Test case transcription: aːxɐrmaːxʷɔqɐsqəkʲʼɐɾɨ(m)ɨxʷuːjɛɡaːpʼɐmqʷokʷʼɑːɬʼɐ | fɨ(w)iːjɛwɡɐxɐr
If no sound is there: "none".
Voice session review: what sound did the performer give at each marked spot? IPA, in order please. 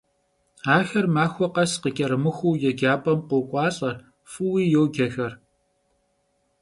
m, w

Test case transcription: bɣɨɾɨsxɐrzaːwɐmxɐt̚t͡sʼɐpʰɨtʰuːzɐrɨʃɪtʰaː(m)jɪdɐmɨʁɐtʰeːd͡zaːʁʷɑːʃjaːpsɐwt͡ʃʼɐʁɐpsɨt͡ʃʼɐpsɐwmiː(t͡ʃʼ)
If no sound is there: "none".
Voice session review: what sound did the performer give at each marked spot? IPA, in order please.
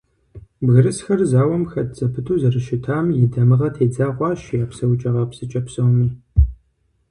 m, none

